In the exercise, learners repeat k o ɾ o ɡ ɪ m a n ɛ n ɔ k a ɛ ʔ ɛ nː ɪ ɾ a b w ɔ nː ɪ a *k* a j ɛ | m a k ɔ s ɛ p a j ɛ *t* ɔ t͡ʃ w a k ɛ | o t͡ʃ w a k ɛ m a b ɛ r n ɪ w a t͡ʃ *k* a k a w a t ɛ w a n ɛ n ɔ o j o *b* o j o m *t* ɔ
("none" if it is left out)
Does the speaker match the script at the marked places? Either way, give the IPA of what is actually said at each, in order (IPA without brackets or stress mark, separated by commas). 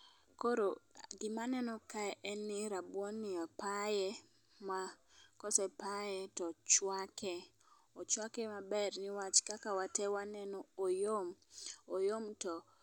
p, t, k, m, t